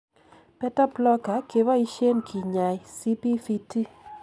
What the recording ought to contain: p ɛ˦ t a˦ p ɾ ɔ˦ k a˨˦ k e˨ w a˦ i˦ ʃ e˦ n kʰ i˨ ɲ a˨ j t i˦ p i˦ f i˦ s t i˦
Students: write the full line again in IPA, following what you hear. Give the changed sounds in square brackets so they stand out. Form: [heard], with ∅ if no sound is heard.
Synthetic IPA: p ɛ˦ t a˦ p [l] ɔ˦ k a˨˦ k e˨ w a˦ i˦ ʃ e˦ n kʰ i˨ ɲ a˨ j [s] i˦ p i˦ f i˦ [∅] t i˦